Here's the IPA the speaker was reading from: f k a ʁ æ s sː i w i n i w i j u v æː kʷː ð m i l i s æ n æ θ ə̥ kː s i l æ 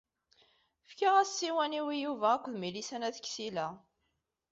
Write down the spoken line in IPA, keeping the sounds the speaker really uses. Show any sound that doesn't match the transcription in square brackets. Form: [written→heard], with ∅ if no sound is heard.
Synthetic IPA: f k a ʁ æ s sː i w [i→æ] n i w i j u v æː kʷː ð m i l i s æ n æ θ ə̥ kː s i l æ

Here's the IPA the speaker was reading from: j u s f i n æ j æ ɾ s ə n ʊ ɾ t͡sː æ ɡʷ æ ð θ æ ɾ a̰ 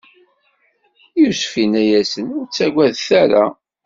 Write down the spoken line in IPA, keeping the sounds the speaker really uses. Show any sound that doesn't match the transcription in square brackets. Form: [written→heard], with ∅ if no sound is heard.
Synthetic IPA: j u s f i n æ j æ [ɾ→∅] s ə n ʊ ɾ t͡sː æ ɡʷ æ ð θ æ ɾ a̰

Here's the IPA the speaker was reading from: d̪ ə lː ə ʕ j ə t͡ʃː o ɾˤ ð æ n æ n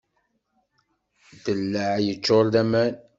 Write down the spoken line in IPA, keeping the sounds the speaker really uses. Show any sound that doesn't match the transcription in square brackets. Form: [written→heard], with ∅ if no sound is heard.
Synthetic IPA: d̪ ə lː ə ʕ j ə t͡ʃː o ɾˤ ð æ [n→m] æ n

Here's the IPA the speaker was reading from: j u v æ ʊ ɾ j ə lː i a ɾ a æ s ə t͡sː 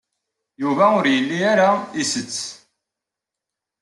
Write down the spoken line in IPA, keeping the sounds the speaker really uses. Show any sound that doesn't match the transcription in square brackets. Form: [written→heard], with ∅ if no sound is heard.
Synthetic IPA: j u v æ ʊ ɾ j ə lː i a ɾ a [æ→i] s ə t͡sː

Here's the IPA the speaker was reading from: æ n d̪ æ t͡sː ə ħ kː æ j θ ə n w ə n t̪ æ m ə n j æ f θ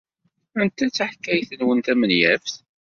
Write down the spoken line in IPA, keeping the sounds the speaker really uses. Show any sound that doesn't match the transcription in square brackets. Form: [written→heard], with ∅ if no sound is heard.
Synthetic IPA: æ n [d̪→t̪] æ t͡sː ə ħ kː æ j θ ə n w ə n t̪ æ m ə n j æ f θ

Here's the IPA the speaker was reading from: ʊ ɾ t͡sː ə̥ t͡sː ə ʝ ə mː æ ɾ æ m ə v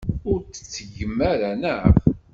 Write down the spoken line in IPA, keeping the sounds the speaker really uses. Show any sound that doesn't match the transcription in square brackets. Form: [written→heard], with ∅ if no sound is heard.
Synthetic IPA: ʊ ɾ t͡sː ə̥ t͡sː ə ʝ ə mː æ ɾ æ [m→n] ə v

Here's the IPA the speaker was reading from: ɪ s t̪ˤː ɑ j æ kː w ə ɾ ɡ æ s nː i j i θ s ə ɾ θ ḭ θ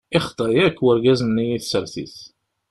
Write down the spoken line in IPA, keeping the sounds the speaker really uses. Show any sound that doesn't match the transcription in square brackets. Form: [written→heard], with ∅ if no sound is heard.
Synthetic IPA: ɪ [s→χ] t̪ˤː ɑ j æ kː w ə ɾ ɡ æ [s→z] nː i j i θ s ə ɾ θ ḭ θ

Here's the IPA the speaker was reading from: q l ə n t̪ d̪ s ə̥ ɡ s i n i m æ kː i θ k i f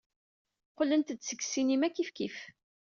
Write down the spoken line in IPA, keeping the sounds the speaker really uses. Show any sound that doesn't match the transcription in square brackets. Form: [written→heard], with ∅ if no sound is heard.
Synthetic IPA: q l ə n t̪ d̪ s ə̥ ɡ s i n i m æ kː i [θ→f] k i f

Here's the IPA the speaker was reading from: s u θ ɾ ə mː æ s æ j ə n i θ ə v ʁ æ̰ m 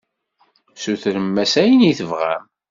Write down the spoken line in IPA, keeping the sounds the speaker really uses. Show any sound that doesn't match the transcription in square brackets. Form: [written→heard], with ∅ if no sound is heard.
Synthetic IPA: s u θ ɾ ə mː æ s æ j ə n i θ ə v ʁ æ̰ m

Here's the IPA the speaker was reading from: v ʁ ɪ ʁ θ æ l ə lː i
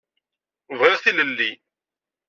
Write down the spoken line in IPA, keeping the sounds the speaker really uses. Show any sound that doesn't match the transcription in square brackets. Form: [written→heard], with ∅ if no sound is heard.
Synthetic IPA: v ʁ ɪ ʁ θ [æ→i] l ə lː i

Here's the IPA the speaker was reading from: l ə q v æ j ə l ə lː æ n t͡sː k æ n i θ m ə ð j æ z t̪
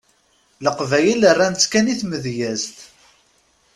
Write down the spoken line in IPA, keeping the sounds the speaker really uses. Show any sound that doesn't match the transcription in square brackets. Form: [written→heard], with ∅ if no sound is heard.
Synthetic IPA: l ə q v æ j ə l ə [lː→rː] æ n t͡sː k æ n i θ m ə ð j æ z t̪

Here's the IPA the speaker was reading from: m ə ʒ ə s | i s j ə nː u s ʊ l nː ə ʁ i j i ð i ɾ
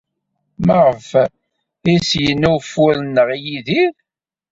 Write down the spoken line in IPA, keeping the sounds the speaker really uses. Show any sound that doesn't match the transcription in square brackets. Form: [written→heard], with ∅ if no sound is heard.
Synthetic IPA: m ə [ʒ→ʁ] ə [s→f] | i s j ə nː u [s→f] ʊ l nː ə ʁ i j i ð i ɾ

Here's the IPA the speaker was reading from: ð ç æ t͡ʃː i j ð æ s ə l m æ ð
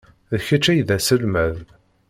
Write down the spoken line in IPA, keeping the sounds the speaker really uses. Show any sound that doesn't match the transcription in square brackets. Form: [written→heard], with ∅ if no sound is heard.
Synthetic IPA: ð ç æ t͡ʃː [i→æ] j ð æ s ə l m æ ð

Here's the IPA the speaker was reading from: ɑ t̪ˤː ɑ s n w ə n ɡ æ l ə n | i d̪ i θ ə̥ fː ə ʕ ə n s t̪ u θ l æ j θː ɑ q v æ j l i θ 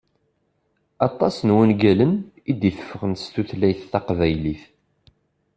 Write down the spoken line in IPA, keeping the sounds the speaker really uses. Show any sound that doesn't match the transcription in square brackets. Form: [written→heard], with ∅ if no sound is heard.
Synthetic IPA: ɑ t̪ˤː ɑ s n w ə n ɡ æ l ə n | i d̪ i θ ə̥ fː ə [ʕ→ʁ] ə n s t̪ u θ l æ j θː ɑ q v æ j l i θ

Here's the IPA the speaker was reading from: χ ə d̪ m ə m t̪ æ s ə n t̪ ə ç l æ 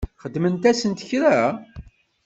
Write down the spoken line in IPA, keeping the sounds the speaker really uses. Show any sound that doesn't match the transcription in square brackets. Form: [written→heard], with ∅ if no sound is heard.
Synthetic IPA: χ ə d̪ m ə [m→n] t̪ æ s ə n t̪ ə ç [l→ɾ] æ

